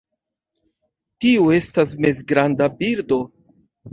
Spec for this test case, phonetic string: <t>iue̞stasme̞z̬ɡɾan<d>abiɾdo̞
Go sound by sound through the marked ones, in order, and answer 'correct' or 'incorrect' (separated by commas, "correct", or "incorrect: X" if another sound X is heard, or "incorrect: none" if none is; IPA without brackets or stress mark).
correct, correct